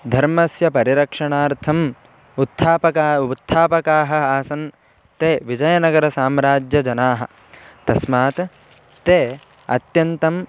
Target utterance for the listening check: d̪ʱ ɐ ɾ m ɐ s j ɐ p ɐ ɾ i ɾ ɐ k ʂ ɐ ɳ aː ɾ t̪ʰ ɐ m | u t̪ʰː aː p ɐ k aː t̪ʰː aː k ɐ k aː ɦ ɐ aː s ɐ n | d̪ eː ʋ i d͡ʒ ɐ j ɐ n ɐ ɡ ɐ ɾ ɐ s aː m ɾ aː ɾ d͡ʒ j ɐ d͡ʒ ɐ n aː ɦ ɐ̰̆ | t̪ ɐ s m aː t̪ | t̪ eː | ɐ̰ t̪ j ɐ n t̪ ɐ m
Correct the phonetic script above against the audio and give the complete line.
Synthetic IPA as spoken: d̪ʱ ɐ ɾ m ɐ s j ɐ p ɐ ɾ i ɾ ɐ k ʂ ɐ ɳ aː ɾ t̪ʰ ɐ m | u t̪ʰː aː p ɐ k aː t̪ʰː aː p ɐ k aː ɦ ɐ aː s ɐ n | t̪ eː ʋ i d͡ʒ ɐ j ɐ n ɐ ɡ ɐ ɾ ɐ s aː m ɾ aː d͡ʒ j ɐ d͡ʒ ɐ n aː ɦ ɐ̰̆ | t̪ ɐ s m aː t̪ | t̪ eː | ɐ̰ t̪ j ɐ n t̪ ɐ m